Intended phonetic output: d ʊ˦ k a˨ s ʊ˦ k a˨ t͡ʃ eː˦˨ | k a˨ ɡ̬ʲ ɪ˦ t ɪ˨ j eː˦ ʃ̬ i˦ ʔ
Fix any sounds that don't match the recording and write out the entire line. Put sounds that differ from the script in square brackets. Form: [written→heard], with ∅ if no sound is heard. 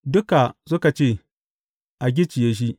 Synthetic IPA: d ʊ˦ k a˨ s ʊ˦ k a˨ t͡ʃ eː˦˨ | [k→ʔ] a˨ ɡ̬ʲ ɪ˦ [t→t͡ʃ] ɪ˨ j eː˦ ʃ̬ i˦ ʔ